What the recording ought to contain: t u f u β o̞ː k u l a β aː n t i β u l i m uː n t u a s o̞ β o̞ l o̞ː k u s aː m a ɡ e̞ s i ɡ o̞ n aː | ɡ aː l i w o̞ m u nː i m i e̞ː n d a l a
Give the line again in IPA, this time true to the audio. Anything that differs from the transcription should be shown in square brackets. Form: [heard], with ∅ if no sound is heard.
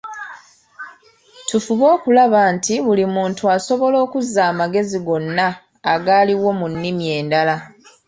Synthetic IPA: t u f u β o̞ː k u l a β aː n t i β u l i m uː n t u a s o̞ β o̞ l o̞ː k u [z] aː m a ɡ e̞ [z] i ɡ o̞ [nː] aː | ɡ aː l i w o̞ m u nː i m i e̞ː n d a l a